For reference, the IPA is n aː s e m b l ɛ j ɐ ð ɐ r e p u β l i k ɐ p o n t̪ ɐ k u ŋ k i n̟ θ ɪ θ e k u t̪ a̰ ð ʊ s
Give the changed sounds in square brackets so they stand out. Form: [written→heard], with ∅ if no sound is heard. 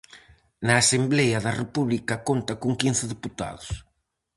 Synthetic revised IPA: n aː s e m b l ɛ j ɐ ð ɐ r e p u β l i k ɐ [p→k] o n t̪ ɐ k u ŋ k i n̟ θ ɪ [θ→ð] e [k→p] u t̪ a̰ ð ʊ s